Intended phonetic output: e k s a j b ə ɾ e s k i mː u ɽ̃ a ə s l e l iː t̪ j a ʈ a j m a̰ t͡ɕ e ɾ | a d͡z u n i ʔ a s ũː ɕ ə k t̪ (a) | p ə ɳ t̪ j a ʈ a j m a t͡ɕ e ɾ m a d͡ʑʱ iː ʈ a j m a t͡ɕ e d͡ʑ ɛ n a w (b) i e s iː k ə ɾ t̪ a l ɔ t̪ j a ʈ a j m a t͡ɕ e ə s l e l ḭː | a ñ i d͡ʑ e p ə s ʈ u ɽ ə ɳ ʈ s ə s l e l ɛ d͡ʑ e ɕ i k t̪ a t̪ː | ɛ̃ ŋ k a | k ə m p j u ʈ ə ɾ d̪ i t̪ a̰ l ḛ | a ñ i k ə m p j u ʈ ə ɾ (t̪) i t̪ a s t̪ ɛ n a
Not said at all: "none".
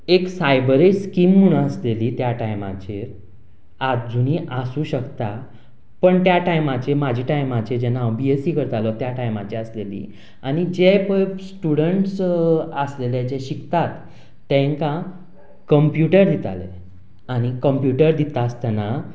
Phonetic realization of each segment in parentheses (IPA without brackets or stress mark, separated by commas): a, b, d̪